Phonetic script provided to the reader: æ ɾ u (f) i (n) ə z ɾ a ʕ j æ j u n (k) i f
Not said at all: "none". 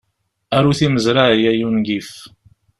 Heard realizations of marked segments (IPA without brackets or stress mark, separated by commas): θ, m, ɡ